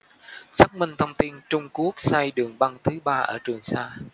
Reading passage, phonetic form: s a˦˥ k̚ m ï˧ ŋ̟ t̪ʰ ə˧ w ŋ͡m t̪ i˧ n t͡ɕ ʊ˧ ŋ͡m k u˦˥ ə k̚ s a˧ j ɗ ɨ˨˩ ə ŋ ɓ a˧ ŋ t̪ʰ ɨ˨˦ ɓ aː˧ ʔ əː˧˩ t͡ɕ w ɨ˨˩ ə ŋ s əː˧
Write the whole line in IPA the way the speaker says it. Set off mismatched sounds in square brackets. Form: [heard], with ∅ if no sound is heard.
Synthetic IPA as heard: s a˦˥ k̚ m ï˧ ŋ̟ t̪ʰ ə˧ w ŋ͡m t̪ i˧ n t͡ɕ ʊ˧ ŋ͡m k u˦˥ ə k̚ s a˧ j ɗ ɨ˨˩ ə ŋ ɓ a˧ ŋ t̪ʰ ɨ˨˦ ɓ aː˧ ʔ əː˧˩ t͡ɕ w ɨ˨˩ ə ŋ s [aː˧]